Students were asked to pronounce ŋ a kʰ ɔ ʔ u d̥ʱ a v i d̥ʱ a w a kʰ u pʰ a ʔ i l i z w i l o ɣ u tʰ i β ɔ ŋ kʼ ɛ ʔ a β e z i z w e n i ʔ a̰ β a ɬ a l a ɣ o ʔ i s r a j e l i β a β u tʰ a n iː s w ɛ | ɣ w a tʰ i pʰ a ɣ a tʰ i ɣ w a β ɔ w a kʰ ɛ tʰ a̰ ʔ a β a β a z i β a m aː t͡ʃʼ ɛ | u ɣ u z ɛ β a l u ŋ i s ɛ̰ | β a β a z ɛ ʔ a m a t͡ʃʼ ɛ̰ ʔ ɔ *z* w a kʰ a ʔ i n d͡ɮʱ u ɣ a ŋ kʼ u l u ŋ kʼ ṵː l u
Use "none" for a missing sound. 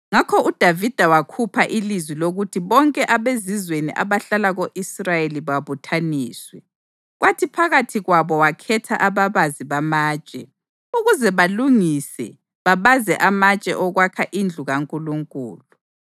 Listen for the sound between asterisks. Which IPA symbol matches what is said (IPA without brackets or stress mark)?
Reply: ɣ